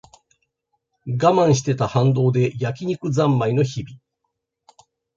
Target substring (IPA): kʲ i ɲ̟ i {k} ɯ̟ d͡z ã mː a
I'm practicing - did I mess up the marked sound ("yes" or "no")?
no